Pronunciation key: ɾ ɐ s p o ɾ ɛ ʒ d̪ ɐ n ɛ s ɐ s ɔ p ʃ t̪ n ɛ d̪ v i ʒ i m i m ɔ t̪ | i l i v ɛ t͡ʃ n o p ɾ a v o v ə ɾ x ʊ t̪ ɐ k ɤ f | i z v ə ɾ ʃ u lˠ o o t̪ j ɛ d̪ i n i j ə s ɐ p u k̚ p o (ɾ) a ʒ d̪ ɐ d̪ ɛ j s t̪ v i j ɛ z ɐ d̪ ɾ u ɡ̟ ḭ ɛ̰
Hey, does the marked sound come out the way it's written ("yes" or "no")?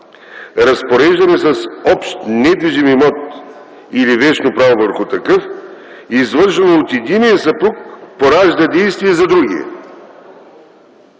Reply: yes